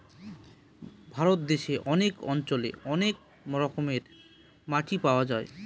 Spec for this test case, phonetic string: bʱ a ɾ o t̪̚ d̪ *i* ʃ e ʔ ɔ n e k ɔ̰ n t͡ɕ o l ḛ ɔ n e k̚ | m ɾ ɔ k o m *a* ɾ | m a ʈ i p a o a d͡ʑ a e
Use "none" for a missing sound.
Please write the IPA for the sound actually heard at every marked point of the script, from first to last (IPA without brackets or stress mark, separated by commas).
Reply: e, e